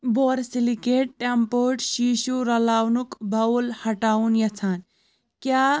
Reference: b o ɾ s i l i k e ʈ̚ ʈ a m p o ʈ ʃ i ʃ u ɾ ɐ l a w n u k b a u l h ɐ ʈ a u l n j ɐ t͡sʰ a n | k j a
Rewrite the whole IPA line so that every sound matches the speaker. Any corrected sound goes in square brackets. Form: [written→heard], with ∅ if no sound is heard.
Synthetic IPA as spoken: b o ɾ s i l i k e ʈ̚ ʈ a m p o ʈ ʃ i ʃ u ɾ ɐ l a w n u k b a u l h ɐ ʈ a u [l→∅] n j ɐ t͡sʰ a n | k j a

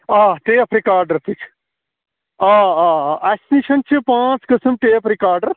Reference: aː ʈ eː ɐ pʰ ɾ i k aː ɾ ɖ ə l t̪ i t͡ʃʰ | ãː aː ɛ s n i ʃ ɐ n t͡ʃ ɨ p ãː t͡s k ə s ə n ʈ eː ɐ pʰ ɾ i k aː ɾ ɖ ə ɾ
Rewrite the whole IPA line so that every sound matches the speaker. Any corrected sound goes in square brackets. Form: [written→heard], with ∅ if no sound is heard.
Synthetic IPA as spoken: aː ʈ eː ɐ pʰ ɾ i k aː ɾ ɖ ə [l→ɾ] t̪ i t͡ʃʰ | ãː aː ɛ s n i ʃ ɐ n t͡ʃ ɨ p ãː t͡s k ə s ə [n→m] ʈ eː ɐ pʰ ɾ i k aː ɾ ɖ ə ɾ

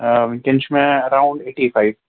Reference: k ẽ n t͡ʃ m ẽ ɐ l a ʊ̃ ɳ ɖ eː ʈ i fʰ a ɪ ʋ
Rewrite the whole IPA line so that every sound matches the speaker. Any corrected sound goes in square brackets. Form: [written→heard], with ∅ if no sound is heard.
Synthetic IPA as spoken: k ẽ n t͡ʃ m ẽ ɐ [l→ɾ] a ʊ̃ ɳ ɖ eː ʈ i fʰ a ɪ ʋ

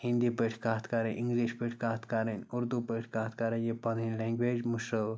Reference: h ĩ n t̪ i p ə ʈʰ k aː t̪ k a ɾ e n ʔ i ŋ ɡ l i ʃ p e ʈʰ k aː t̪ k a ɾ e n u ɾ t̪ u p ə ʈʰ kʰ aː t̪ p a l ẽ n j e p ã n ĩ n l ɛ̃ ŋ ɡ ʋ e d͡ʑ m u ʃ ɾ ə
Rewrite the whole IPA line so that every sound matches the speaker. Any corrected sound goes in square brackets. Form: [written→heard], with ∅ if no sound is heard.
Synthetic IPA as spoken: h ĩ n [t̪→d̪] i p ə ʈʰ k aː t̪ k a ɾ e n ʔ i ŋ ɡ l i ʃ p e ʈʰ k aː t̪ k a ɾ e n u ɾ [t̪→d̪] u p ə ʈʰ [kʰ→k] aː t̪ [p→k] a [l→ɾ] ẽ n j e p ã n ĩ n l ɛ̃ ŋ ɡ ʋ e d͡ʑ m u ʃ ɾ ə

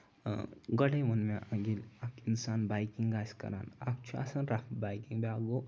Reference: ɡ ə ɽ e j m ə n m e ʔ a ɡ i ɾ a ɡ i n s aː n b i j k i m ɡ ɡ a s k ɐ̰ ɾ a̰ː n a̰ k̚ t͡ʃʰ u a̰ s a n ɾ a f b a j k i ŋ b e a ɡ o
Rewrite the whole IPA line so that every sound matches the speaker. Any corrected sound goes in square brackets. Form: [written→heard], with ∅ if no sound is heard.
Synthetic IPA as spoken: ɡ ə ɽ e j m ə n m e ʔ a ɡ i [ɾ→l] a [ɡ→k] i n s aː n b [i→a] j k i [m→ŋ] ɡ ɡ a s k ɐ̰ ɾ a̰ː n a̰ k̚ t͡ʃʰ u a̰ s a n ɾ a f b a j k i ŋ b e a ɡ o

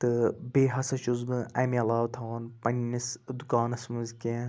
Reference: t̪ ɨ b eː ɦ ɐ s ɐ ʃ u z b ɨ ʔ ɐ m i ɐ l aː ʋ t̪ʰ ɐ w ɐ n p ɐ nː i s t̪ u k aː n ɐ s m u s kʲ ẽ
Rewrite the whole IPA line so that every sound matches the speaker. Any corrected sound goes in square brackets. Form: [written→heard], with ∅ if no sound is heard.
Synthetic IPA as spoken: t̪ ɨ b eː ɦ ɐ s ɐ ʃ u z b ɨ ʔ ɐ m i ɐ l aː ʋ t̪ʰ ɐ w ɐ n p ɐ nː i s [t̪→d̪] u k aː n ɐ s m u [s→z] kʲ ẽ

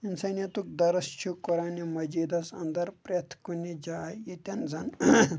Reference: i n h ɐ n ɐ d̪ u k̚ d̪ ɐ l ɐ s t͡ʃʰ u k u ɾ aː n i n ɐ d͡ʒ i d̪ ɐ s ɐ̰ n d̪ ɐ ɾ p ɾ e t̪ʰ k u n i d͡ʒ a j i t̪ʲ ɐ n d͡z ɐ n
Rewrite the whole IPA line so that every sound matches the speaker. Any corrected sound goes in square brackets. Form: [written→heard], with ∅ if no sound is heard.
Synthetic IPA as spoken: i n [h→s] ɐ n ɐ [d̪→t̪] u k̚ d̪ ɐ [l→ɾ] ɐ s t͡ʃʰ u k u ɾ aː n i [n→m] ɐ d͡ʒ i d̪ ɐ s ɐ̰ n d̪ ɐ ɾ p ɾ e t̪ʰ k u n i d͡ʒ a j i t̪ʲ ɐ n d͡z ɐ n

